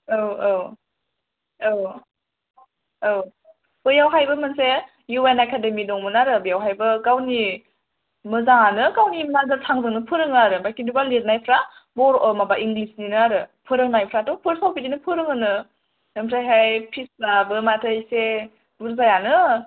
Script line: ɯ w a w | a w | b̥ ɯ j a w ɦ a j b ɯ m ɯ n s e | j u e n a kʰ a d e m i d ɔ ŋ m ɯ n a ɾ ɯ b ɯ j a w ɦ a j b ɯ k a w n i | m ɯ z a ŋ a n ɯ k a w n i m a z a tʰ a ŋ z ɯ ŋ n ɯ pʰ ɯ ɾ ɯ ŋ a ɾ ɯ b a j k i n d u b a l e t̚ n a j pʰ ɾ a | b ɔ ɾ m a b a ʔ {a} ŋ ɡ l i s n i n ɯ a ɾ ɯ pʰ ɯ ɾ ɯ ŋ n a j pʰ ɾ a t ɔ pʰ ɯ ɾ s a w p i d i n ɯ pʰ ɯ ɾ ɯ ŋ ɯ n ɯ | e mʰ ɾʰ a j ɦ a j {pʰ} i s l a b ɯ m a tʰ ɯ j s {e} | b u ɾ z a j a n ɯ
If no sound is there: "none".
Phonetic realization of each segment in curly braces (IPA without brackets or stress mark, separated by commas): i, pʰ, e